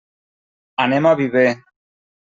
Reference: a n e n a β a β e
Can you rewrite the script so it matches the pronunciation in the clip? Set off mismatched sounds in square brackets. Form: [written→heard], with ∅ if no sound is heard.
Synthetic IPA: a n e [n→m] a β [a→i] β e